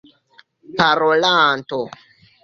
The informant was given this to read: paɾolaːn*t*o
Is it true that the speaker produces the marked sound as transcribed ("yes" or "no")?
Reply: yes